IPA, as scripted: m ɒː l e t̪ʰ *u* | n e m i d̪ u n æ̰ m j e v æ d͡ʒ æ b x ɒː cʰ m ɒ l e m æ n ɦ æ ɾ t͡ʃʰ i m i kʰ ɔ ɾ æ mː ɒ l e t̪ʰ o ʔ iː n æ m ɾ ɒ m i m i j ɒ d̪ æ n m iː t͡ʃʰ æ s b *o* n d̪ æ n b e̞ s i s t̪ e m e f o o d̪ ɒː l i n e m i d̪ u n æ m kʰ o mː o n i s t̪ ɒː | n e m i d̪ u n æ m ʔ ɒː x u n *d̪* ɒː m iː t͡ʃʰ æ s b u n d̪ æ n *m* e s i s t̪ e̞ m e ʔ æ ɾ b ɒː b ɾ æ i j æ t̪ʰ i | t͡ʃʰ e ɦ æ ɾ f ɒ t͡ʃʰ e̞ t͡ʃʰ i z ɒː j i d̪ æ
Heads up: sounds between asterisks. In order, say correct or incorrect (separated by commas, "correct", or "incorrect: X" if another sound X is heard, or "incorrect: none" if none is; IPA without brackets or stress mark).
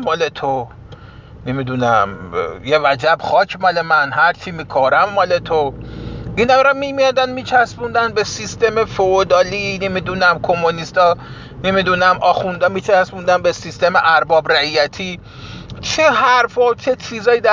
incorrect: o, incorrect: u, correct, incorrect: b